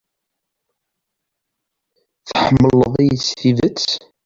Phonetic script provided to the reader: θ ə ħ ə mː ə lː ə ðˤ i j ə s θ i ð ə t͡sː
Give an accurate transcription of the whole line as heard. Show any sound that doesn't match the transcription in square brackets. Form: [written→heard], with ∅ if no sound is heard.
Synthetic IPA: θ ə ħ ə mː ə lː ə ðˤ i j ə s θ i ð ə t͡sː